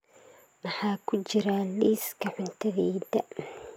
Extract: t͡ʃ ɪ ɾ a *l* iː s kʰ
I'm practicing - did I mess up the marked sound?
no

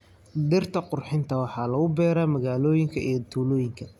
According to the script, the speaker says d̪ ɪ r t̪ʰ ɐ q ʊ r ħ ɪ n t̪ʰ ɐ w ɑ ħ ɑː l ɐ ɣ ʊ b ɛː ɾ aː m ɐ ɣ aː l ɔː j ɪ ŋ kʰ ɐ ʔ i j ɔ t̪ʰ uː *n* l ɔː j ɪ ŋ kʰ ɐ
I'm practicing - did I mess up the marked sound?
yes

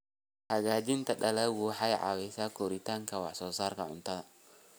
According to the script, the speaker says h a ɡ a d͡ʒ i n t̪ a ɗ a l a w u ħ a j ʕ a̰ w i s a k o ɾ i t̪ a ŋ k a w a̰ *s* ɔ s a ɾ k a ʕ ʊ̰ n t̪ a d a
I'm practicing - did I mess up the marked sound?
no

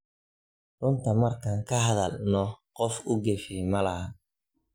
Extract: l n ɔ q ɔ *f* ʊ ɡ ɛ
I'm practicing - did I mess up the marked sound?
no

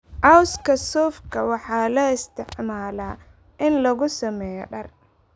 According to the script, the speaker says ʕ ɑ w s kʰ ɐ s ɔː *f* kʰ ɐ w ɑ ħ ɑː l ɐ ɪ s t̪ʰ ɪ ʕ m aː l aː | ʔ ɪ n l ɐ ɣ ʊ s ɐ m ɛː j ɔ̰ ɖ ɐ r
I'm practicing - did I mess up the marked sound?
no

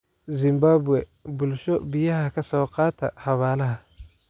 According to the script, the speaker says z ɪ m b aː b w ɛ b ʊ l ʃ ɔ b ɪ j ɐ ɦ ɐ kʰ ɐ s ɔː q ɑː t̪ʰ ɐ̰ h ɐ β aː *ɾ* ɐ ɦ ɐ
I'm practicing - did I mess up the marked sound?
yes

